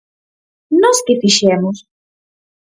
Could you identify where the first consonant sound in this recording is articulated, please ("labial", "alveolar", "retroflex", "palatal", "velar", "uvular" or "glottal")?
alveolar